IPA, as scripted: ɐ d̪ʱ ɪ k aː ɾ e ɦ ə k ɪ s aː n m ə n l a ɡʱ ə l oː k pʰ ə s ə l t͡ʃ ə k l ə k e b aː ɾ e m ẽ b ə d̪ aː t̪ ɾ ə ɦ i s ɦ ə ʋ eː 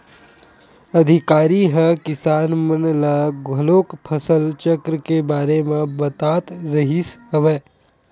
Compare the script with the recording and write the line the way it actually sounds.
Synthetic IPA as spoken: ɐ d̪ʱ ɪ k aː ɾ i ɦ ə k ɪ s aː n m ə n l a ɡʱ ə l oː k pʰ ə s ə l t͡ʃ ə k ɾ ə k e b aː ɾ e m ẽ b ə t̪ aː t̪ ɾ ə ɦ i s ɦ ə ʋ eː